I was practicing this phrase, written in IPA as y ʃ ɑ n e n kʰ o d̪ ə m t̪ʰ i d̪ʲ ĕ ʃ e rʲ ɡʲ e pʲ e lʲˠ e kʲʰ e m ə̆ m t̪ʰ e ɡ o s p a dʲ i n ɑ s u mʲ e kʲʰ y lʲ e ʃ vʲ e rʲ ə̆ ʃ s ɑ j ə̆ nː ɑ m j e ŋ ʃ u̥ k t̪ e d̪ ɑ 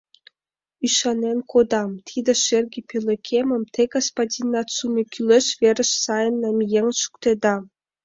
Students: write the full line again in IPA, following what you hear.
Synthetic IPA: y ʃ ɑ n e n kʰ o d̪ ɑ m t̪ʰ i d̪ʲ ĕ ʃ e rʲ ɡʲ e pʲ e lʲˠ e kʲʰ e m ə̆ m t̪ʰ e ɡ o s p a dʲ i n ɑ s u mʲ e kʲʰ y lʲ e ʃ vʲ e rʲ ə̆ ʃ s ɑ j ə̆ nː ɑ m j e ŋ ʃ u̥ k t̪ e d̪ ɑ